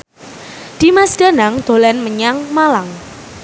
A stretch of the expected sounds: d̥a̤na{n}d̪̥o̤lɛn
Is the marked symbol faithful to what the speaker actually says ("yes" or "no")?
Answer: no